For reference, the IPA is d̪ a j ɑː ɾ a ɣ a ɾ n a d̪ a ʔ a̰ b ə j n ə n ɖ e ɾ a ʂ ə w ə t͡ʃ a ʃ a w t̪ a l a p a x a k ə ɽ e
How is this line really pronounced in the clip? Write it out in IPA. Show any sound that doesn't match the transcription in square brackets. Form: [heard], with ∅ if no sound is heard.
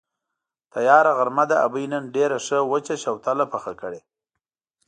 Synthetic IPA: [t̪] a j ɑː ɾ a ɣ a ɾ [m] a d̪ a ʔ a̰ b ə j n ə n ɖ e ɾ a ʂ ə w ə t͡ʃ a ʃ a w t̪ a l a p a x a k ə ɽ e